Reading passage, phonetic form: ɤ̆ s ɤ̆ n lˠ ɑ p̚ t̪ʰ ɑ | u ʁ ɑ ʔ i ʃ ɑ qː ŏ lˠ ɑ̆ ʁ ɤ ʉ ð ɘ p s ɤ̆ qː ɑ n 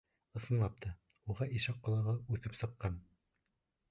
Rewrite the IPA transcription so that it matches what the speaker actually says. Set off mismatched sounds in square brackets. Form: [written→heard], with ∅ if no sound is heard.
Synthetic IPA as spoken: ɤ̆ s ɤ̆ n lˠ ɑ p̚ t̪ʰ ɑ | u ʁ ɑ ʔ i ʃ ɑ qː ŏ lˠ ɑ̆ ʁ ɤ ʉ [ð→θ] ɘ p s ɤ̆ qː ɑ n